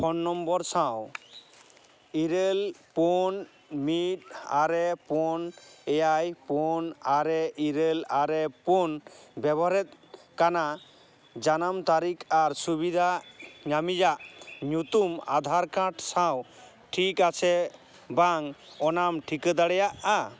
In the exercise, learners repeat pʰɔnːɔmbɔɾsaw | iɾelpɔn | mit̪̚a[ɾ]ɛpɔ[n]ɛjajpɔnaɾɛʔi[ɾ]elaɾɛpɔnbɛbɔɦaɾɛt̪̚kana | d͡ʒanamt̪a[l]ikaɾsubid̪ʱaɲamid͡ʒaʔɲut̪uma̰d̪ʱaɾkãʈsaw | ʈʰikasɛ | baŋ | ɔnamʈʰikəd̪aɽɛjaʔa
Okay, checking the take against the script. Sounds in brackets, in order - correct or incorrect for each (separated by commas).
correct, correct, correct, incorrect